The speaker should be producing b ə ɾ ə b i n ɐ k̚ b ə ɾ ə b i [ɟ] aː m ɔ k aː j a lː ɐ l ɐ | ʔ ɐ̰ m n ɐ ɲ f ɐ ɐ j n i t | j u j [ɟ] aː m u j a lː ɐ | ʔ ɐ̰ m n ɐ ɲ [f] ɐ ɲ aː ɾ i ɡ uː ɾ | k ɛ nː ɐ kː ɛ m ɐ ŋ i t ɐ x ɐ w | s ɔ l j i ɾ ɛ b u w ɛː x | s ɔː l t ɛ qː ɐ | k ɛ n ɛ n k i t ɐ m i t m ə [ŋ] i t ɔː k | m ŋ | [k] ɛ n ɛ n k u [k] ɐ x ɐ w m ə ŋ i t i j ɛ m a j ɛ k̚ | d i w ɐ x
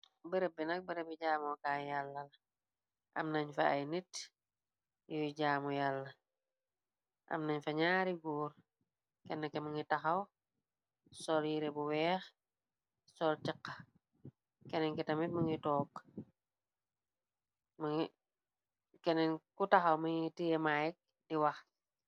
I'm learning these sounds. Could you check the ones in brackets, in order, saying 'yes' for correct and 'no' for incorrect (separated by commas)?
yes, yes, yes, yes, yes, no